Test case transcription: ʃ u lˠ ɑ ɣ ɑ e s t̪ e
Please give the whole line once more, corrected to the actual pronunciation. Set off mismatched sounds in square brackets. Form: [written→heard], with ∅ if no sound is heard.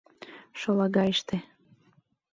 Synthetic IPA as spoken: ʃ [u→o] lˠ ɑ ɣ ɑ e [s→ʃ] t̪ e